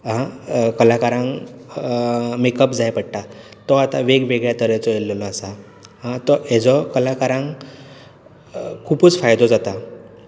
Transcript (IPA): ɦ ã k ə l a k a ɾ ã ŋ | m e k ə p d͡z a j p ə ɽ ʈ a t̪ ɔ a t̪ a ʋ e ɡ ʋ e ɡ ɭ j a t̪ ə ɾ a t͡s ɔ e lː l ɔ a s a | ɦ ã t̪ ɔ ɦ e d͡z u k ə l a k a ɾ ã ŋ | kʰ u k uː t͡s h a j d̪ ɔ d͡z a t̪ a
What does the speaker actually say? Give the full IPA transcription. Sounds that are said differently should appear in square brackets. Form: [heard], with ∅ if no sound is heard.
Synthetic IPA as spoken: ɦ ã k ə l a k a ɾ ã ŋ | m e k ə p d͡z a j p ə ɽ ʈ a t̪ ɔ a t̪ a ʋ e ɡ ʋ e ɡ ɭ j a t̪ ə ɾ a t͡s ɔ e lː l ɔ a s a | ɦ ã t̪ ɔ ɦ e d͡z [ɔ] k ə l a k a ɾ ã ŋ | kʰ u [p] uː t͡s [f] a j d̪ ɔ d͡z a t̪ a